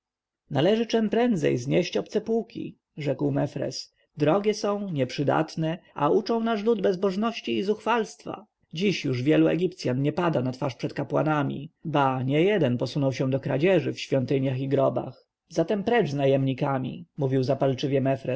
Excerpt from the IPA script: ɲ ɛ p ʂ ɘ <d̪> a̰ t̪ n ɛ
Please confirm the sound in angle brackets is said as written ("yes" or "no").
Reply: yes